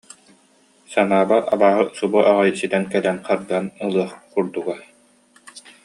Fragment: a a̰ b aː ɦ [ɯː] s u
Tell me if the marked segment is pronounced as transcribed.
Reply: no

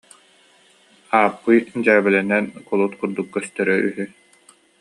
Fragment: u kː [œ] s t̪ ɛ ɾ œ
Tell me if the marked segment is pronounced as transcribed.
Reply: yes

